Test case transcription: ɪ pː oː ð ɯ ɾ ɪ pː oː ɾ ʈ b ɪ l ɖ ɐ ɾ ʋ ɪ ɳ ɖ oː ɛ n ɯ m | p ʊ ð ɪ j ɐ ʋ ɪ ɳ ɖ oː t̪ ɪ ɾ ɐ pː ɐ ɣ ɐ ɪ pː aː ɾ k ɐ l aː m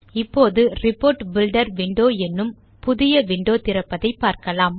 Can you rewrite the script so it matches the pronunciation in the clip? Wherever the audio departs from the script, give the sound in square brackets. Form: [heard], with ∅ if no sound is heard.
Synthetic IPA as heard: ɪ pː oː ð ɯ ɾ ɪ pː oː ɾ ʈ b ɪ l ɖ ɐ ɾ ʋ ɪ ɳ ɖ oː ɛ [nː] ɯ m | p ʊ ð ɪ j ɐ ʋ ɪ ɳ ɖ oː t̪ ɪ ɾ ɐ pː ɐ [ð] ɐ ɪ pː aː ɾ k ɐ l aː m